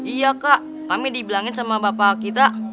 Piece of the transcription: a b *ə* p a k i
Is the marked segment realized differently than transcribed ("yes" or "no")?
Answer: yes